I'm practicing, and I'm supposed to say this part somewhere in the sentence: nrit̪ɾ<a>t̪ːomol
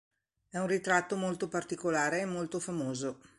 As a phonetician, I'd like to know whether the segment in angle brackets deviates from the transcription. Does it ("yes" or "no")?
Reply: no